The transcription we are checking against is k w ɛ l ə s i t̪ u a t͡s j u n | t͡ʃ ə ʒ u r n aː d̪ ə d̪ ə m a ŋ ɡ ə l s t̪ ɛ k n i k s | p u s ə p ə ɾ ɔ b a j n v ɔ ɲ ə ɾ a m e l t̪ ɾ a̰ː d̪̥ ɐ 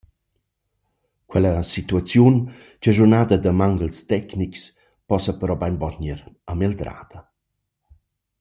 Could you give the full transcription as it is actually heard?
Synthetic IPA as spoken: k w ɛ l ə s i t̪ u a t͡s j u n | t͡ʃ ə ʒ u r n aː d̪ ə d̪ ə m a ŋ ɡ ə l s t̪ ɛ k n i k s | p ɔ s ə p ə ɾ ɔ b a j n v ɔ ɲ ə ɾ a m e l d̪ ɾ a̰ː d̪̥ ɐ